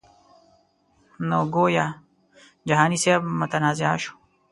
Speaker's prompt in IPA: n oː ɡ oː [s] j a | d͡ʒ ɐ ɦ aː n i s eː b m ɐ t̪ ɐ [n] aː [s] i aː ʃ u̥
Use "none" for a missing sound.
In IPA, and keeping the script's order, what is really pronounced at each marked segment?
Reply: none, n, z

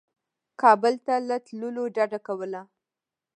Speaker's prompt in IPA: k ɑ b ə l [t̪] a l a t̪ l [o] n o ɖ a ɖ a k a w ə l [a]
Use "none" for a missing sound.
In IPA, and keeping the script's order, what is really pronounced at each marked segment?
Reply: t̪, u, a

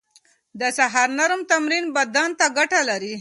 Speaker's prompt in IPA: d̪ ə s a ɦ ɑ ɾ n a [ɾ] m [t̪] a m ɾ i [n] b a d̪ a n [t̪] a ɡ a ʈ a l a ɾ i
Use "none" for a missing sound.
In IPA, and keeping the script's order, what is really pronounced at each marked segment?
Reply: ɾ, t̪, n, t̪

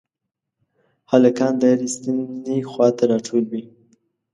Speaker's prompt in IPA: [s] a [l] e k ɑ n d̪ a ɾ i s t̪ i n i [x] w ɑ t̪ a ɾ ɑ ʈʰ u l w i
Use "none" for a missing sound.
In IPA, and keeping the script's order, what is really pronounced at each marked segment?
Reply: h, l, x

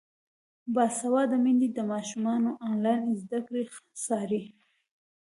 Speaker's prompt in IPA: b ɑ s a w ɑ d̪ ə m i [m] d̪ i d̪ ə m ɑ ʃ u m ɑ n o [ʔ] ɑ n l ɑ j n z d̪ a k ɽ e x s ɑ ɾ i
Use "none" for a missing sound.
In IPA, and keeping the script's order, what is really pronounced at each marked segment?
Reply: n, ʔ

